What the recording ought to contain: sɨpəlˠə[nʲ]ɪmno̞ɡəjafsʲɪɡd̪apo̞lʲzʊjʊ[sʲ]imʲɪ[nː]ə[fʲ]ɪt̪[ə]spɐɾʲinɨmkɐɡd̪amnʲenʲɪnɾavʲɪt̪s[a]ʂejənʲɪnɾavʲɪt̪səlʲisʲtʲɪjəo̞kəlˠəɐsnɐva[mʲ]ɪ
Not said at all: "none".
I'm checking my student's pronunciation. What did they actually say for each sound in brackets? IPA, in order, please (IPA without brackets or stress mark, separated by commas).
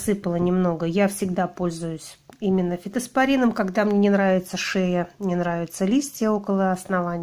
nʲ, sʲ, nː, fʲ, ə, ə, nʲ